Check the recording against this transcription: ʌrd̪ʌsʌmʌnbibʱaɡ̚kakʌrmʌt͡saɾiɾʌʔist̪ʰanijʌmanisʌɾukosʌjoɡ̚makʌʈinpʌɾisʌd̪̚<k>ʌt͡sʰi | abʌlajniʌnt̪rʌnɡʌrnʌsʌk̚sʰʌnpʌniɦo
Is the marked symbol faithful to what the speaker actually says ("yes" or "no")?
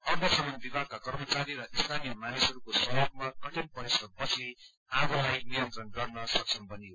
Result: no